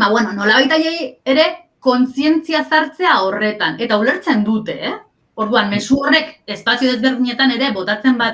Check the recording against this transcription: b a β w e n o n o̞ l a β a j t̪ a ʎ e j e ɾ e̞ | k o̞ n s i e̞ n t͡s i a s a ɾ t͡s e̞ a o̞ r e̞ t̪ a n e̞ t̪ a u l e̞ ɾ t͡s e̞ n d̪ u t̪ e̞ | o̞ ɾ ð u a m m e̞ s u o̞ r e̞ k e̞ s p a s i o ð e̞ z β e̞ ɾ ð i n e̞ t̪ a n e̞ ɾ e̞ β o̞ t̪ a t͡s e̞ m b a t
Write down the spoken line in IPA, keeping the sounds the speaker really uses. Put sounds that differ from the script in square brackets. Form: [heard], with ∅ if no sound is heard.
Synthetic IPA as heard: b a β w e n o n o̞ l a β a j t̪ a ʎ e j e ɾ e̞ | k o̞ n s i e̞ n t͡s i a s a ɾ t͡s e̞ a o̞ r e̞ t̪ a n e̞ t̪ a u l e̞ ɾ t͡s e̞ n d̪ u t̪ e̞ | o̞ ɾ ð u a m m e̞ s u o̞ r e̞ k e̞ s p a s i o ð e̞ z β e̞ ɾ ð i [ɲ] e̞ t̪ a n e̞ ɾ e̞ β o̞ t̪ a t͡s e̞ m b a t

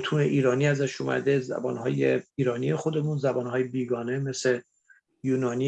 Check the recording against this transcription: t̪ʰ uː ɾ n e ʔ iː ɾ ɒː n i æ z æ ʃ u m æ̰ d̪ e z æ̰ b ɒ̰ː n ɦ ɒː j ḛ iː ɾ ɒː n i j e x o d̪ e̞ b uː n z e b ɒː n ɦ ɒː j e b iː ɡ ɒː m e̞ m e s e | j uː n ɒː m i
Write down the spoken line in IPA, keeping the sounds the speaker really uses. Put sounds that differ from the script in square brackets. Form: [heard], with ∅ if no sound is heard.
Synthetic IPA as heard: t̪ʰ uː [∅] n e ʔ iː ɾ ɒː n i æ z æ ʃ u m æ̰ d̪ e z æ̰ b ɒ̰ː n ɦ ɒː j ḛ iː ɾ ɒː n i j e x o d̪ e̞ [m] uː n z [æ] b ɒː n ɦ ɒː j e b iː ɡ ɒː [n] e̞ m e s e | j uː n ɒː [n] i

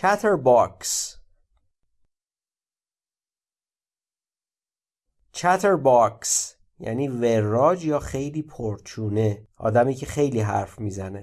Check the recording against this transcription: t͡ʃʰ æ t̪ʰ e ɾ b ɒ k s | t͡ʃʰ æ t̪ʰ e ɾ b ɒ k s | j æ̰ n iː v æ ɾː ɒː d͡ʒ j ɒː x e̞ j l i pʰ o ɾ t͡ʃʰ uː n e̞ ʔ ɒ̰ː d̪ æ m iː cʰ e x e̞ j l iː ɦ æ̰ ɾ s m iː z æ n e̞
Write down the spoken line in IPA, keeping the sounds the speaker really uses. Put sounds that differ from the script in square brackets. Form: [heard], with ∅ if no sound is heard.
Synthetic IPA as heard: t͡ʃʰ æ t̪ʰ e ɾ b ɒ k s | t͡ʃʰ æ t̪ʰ e ɾ b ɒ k s | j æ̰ n iː v [e] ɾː ɒː d͡ʒ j ɒː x e̞ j l [iː] pʰ o ɾ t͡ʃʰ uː n e̞ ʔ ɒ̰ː d̪ æ m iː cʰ e x e̞ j l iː ɦ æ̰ ɾ [f] m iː z æ n e̞

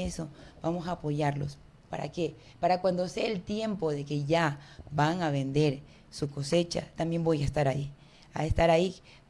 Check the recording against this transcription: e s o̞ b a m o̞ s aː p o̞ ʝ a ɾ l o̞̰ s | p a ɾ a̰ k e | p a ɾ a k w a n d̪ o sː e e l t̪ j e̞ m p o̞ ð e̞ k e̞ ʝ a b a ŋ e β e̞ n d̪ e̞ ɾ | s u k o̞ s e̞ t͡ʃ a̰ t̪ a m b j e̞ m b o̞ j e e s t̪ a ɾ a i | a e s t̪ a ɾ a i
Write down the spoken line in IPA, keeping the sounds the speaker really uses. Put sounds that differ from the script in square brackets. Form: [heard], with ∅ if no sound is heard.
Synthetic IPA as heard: e s o̞ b a m o̞ s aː p o̞ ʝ a ɾ l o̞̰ s | p a ɾ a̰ k e | p a ɾ a k w a n d̪ o [s] e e l t̪ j e̞ m p o̞ ð e̞ k e̞ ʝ a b a ŋ [a] β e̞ n d̪ e̞ ɾ | s u k o̞ s e̞ t͡ʃ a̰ t̪ a m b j e̞ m b o̞ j [a] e s t̪ a ɾ a i | a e s t̪ a ɾ a i

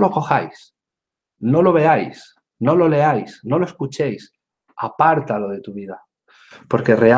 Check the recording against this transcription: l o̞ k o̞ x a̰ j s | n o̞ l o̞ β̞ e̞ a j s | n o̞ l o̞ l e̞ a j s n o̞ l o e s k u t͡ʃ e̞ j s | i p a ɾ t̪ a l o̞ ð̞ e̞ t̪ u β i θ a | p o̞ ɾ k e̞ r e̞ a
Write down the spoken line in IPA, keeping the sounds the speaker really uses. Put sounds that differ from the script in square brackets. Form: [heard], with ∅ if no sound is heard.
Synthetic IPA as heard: l o̞ k o̞ x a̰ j s | n o̞ l o̞ β̞ e̞ a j s | n o̞ l o̞ l e̞ a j s n o̞ l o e s k u t͡ʃ e̞ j s | [a] p a ɾ t̪ a l o̞ ð̞ e̞ t̪ u β i [ð] a | p o̞ ɾ k e̞ r e̞ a

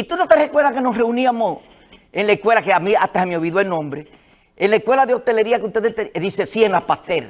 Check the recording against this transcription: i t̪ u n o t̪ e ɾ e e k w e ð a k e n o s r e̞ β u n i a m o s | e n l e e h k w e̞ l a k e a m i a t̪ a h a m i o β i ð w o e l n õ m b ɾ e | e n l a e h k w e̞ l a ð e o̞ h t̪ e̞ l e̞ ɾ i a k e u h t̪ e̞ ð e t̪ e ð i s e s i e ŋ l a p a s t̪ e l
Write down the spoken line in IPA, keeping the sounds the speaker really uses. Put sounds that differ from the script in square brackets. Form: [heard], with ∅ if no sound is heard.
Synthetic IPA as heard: i t̪ u n o t̪ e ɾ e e k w e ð a k e n o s r e̞ [∅] u n i a m o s | e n l [a] e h k w e̞ l a k e a m i a t̪ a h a m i o β i ð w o e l n õ m b ɾ e | e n l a e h k w e̞ l a ð e o̞ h t̪ e̞ l e̞ ɾ i a k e u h t̪ e̞ ð e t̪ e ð i s e s i e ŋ l a p a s t̪ e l

